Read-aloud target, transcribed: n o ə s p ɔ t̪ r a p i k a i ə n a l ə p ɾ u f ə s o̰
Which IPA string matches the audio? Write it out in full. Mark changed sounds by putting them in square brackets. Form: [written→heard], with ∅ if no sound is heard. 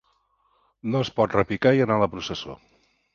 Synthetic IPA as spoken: n o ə s p ɔ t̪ r [a→ə] p i k a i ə n a l ə p ɾ u [f→s] ə s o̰